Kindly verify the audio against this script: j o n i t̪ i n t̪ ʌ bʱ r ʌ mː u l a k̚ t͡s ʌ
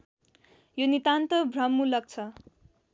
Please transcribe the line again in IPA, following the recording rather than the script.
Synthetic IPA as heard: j o n i t̪ a n t̪ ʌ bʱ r ʌ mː u l ʌ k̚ t͡sʰ ʌ

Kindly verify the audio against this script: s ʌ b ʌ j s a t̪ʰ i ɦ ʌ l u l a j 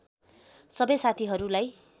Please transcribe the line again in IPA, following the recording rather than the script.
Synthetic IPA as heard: s ʌ b ʌ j s a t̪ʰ i ɦ ʌ ɾ u l a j

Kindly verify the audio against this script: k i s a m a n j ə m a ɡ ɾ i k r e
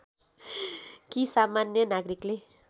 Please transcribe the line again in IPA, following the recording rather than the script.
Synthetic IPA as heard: k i s a m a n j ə n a ɡ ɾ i k l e

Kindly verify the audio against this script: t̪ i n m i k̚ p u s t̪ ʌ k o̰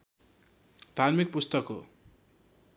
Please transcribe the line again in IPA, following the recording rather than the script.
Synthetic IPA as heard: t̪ a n m i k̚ p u s t̪ ʌ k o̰

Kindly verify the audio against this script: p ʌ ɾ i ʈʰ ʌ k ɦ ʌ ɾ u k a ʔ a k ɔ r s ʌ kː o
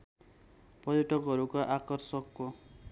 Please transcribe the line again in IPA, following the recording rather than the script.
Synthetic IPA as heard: p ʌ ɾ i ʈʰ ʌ k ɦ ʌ ɾ u k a ʔ a k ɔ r s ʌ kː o

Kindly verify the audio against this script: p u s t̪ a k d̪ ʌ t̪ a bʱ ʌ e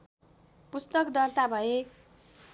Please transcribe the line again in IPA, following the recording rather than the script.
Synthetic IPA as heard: p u s t̪ ʌ k d̪ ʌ t̪ a bʱ ʌ e

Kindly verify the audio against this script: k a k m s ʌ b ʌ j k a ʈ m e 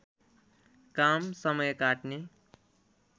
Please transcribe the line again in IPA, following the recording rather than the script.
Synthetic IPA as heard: k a m s ʌ m ʌ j k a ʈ n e

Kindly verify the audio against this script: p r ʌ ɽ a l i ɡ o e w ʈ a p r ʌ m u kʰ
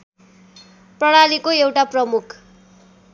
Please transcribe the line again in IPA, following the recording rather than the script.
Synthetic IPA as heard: p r ʌ ɽ a l i k o e w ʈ a p r ʌ m u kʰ

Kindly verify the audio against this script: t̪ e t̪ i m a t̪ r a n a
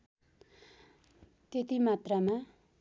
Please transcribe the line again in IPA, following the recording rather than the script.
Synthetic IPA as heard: t̪ e t̪ i m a t̪ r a m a

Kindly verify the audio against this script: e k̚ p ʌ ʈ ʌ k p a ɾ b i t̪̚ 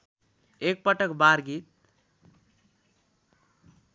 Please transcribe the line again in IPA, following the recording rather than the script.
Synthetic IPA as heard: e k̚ p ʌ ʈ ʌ k b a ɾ ɡ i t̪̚

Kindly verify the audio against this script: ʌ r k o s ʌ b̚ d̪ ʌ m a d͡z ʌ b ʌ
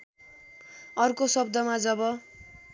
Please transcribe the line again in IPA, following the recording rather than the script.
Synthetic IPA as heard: ʌ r k o s ʌ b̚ d̪ ʌ m a d͡z ʌ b ʌ

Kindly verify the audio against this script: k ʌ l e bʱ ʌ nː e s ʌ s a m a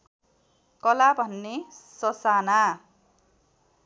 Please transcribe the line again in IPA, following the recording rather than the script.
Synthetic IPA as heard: k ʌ l a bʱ ʌ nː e s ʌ s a n a

